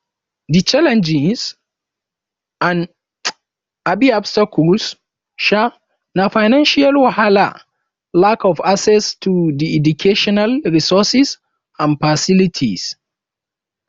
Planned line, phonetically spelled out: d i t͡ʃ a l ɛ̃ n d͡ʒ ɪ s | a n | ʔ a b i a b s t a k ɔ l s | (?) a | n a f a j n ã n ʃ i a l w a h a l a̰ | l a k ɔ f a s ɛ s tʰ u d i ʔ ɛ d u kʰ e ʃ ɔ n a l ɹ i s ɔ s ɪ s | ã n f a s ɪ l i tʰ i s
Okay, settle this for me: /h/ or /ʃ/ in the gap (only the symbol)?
ʃ